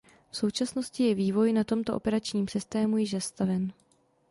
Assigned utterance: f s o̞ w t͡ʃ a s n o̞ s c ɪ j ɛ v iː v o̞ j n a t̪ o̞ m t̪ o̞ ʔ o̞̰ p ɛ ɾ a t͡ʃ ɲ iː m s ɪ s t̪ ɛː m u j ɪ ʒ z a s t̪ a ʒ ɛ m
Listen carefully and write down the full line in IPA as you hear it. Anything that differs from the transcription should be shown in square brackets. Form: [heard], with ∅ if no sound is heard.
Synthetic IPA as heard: f s o̞ w t͡ʃ a s n o̞ s c ɪ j ɛ v iː v o̞ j n a t̪ o̞ m t̪ o̞ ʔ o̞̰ p ɛ ɾ a t͡ʃ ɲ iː m s ɪ s t̪ ɛː m u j ɪ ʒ z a s t̪ a [v] ɛ [n]